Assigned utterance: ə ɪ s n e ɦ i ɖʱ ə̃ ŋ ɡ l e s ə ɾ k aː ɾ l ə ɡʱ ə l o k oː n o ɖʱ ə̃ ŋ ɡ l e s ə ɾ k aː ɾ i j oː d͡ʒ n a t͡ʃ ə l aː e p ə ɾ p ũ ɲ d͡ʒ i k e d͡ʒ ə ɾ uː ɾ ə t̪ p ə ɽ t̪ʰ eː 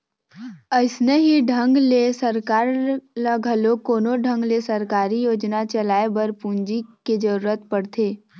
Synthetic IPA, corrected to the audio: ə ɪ s n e ɦ i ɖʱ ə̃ ŋ ɡ l e s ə ɾ k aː ɾ l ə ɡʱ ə l o k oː n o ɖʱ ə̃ ŋ ɡ l e s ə ɾ k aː ɾ i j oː d͡ʒ n a t͡ʃ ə l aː e b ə ɾ p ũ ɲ d͡ʒ i k e d͡ʒ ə ɾ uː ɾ ə t̪ p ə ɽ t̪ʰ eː